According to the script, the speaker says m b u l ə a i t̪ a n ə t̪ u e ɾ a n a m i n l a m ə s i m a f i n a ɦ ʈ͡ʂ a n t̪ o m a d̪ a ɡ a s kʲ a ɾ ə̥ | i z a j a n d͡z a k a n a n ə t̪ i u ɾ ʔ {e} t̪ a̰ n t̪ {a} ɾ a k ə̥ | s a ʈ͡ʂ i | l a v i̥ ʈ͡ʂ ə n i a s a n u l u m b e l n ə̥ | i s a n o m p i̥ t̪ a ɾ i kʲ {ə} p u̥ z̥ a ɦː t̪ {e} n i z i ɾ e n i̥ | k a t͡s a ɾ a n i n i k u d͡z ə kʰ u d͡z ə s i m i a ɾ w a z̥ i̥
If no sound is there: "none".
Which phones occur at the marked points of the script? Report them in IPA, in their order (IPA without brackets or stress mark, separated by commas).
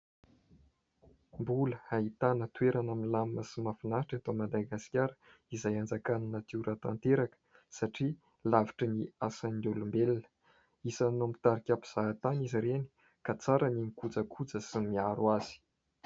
a, e, a, a